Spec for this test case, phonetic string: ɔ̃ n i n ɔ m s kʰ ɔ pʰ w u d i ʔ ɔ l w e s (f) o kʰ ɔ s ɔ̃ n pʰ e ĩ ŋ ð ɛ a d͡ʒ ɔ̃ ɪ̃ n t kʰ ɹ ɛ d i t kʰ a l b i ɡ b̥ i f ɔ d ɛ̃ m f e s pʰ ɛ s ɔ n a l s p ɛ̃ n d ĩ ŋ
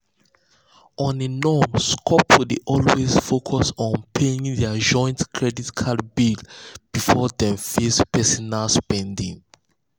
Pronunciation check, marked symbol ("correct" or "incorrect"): correct